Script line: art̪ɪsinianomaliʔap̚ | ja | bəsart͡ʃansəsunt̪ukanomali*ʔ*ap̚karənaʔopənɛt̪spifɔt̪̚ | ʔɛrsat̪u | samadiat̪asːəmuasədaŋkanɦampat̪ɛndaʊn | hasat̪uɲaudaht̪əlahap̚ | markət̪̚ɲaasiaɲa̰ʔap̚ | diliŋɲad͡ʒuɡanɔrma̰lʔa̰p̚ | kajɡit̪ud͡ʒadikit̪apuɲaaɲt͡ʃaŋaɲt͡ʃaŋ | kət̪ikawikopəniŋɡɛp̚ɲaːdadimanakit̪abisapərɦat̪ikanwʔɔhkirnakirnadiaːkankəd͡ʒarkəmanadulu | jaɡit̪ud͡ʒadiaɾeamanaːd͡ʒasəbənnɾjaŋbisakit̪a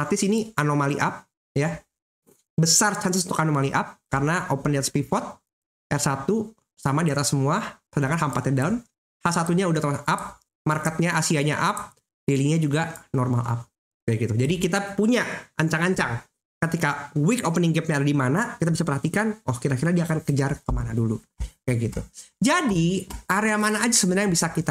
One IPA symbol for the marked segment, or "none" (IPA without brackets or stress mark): ʔ